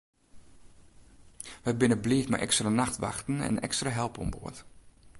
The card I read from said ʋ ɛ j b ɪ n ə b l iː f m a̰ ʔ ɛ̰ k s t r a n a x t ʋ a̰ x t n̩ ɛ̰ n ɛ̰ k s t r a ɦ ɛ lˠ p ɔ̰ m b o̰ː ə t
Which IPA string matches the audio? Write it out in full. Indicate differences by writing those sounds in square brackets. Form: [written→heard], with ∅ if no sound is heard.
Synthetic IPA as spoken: ʋ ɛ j b ɪ n ə b l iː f m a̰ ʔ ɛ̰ k s t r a n a x t ʋ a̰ x t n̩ ɛ̰ n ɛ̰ k s t r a ɦ ɛ lˠ p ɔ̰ m b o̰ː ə t